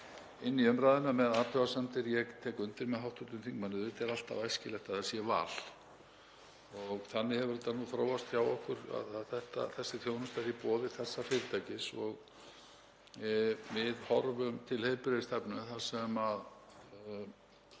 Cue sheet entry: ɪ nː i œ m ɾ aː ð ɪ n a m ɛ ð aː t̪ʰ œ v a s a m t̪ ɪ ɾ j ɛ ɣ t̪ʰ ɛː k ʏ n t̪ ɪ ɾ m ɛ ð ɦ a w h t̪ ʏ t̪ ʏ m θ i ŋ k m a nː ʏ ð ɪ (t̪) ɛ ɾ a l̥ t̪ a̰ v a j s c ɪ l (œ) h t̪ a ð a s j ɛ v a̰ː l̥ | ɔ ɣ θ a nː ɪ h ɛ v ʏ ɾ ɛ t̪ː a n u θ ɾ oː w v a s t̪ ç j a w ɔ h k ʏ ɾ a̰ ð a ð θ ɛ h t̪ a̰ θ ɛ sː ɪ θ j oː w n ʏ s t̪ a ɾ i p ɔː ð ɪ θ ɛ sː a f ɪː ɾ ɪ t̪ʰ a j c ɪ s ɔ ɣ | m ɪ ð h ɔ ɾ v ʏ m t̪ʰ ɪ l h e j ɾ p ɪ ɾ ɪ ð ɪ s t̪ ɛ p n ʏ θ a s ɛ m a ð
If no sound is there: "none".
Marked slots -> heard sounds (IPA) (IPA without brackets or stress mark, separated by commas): t̪, ɛ